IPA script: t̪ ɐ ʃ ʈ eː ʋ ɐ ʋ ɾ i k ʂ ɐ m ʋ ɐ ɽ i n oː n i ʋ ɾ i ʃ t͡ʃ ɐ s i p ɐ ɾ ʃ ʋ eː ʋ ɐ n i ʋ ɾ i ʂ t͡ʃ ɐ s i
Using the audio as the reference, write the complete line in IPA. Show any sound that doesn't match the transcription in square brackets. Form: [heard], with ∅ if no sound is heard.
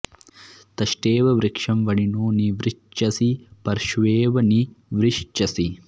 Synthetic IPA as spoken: t̪ ɐ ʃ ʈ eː ʋ ɐ ʋ ɾ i k ʂ ɐ m ʋ ɐ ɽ i n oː n i ʋ ɾ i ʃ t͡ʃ ɐ s i p ɐ ɾ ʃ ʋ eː ʋ ɐ n i ʋ ɾ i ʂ t͡ʃ ɐ s i